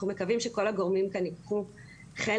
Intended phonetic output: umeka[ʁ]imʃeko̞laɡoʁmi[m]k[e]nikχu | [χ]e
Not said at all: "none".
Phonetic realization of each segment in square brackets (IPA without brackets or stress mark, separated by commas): v, m, a, χ